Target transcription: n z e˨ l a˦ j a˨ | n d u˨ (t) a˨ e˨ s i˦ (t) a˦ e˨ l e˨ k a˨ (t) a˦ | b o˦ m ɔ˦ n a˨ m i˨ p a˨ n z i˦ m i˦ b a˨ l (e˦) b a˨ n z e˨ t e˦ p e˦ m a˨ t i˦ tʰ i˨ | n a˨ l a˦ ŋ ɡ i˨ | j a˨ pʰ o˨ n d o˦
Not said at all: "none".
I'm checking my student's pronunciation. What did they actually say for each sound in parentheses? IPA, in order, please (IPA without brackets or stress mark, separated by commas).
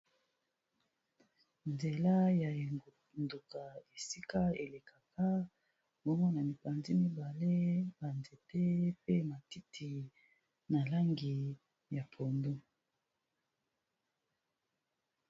k, k, k, e˦